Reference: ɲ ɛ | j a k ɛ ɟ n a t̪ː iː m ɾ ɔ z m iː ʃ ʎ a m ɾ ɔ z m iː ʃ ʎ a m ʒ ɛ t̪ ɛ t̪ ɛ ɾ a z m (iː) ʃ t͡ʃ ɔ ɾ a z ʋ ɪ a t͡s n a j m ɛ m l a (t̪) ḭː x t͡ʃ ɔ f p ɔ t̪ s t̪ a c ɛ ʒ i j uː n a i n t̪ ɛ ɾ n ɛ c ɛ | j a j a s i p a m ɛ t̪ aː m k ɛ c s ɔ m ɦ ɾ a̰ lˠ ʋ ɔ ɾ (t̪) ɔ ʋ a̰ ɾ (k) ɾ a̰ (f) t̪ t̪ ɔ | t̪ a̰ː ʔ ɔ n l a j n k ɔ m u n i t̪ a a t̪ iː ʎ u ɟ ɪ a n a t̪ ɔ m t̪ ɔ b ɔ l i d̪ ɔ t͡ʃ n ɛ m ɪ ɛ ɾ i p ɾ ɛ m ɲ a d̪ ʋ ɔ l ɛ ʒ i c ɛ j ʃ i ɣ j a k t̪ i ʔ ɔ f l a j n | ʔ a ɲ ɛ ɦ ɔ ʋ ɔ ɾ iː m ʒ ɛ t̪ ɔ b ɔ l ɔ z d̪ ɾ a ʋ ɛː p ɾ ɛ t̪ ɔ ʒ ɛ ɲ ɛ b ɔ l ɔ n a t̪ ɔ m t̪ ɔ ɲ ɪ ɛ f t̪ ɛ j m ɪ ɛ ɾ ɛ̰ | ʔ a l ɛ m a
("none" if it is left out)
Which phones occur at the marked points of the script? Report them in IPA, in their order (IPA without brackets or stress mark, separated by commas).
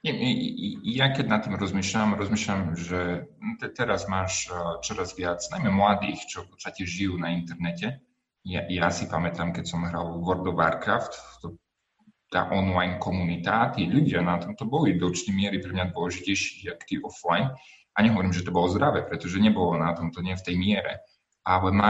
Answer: aː, d̪, d̪, k, f